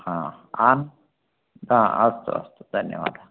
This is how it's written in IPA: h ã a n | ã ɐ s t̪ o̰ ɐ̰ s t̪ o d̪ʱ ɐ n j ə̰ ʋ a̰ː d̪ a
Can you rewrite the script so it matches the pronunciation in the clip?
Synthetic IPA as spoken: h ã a n | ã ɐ s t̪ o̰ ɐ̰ s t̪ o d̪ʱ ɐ n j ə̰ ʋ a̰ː d̪ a